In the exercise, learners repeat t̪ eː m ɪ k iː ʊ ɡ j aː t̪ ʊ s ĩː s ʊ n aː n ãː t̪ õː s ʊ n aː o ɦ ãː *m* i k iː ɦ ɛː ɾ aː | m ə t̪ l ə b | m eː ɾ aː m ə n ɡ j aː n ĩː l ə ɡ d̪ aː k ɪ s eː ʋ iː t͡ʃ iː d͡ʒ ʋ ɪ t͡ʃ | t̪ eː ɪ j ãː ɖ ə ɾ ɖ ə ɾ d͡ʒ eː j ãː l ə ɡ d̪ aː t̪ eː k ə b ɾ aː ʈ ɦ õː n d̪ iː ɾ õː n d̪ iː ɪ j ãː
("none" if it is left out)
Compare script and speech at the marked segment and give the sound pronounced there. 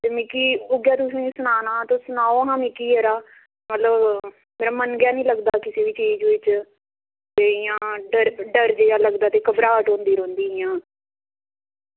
m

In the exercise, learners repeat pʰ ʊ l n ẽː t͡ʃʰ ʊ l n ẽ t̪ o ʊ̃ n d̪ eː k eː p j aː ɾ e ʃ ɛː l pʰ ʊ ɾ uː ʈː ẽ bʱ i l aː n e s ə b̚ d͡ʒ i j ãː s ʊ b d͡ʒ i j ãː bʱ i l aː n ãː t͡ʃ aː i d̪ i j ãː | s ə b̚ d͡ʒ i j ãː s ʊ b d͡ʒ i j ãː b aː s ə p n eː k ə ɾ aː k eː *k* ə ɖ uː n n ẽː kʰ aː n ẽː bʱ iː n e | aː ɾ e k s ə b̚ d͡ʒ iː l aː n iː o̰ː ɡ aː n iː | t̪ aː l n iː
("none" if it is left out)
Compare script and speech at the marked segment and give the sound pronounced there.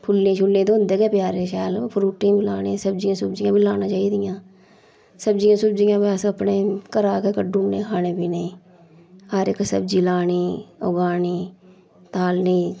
k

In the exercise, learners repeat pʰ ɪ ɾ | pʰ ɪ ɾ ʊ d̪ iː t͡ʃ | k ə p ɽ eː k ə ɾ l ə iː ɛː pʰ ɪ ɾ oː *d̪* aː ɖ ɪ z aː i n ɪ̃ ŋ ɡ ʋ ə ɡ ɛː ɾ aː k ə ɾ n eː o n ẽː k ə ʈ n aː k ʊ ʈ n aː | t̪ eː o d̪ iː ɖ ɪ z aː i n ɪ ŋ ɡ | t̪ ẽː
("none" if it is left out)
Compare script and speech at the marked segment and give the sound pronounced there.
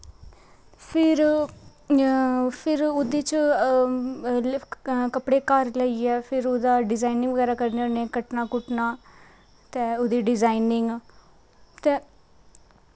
d̪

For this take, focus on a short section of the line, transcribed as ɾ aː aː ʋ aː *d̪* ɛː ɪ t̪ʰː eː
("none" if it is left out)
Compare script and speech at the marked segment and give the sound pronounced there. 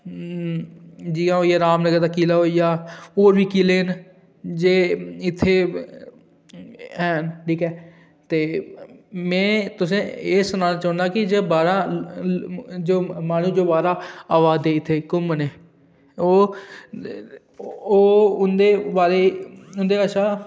d̪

